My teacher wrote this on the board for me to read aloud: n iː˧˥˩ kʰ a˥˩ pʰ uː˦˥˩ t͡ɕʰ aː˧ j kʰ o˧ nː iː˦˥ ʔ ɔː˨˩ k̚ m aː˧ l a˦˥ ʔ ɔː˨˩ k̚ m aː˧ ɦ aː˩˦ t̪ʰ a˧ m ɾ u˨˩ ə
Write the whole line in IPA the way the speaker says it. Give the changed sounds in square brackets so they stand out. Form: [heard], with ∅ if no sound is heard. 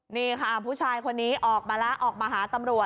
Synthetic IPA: n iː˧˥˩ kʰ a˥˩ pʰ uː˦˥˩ t͡ɕʰ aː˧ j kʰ o˧ nː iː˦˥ ʔ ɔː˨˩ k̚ m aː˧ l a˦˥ ʔ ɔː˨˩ k̚ m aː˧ ɦ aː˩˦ [t̪] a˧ m ɾ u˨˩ ə